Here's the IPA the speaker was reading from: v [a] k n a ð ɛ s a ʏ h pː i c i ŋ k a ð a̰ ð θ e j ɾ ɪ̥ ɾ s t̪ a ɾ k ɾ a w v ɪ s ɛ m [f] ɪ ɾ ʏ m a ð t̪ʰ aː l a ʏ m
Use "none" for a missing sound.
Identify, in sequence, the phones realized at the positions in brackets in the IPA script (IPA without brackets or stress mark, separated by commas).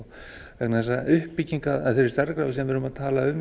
ɛ, v